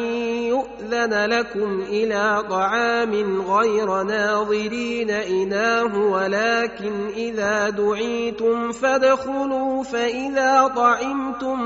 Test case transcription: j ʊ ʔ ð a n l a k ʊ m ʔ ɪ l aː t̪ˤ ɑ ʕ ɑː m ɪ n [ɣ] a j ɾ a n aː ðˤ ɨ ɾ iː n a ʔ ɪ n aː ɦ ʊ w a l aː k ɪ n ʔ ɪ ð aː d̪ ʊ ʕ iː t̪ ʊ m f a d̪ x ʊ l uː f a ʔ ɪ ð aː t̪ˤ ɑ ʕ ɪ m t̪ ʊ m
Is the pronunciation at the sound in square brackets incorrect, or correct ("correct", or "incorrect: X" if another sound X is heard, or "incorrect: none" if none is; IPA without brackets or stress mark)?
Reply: correct